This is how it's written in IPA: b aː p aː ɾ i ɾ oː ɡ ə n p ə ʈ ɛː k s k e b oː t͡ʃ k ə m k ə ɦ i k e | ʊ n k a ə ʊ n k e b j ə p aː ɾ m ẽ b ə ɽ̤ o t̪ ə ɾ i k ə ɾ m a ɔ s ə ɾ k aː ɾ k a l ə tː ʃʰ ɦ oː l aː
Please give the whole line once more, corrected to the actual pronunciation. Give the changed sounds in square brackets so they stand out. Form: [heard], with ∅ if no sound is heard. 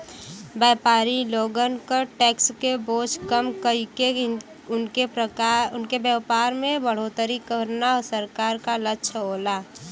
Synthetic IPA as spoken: b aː p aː ɾ i [l] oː ɡ ə n [k] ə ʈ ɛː k s k e b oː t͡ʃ k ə m k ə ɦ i k e | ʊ n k [e] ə ʊ n k e b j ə p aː ɾ m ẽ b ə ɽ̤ o t̪ ə ɾ i k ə ɾ [n] a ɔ s ə ɾ k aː ɾ k a l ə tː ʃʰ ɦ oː l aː